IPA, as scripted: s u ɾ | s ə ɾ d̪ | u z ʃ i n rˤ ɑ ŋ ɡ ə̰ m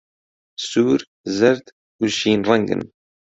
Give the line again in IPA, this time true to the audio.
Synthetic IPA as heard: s u ɾ | z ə ɾ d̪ | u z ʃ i n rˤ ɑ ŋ ɡ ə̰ n